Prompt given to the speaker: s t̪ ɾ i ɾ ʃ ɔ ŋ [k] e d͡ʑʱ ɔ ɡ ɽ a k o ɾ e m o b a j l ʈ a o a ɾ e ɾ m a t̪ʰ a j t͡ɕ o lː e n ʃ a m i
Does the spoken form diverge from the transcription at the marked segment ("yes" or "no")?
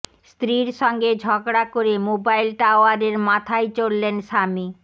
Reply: yes